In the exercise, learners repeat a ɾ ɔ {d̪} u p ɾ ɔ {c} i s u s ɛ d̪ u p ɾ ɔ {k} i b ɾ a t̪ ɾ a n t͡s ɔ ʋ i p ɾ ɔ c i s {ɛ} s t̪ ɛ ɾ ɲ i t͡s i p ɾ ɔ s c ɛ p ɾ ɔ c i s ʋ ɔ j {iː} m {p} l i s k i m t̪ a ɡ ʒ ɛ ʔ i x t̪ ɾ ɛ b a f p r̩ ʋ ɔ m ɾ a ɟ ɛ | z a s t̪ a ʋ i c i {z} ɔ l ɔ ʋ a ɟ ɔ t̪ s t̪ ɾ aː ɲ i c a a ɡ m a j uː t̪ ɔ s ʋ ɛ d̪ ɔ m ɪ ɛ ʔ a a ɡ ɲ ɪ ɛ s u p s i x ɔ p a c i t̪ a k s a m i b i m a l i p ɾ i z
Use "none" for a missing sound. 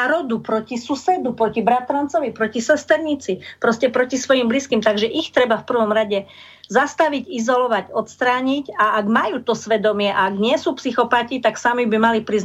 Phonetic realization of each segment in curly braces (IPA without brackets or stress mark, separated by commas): d̪, c, c, ɛ, i, b, z